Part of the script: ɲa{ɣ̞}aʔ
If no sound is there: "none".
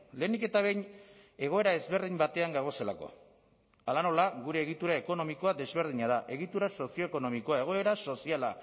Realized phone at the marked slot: ð̞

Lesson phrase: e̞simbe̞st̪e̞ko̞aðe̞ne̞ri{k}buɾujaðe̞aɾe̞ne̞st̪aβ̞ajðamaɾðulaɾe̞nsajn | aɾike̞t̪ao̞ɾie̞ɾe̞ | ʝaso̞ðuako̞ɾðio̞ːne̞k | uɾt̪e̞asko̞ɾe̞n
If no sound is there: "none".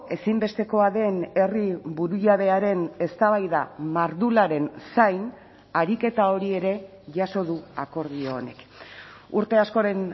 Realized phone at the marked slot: none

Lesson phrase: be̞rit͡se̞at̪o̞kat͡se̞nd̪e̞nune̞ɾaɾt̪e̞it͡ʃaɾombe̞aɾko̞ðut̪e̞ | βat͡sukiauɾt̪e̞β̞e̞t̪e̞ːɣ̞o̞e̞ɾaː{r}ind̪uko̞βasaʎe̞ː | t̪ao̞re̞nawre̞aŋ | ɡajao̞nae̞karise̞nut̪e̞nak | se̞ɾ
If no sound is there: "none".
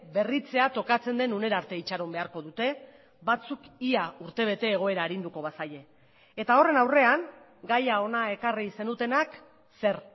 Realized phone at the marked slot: ɾ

